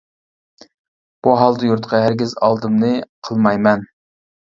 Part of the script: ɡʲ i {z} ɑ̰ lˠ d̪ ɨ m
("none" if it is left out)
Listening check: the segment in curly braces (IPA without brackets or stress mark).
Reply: z